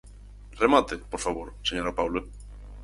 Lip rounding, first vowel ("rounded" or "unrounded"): unrounded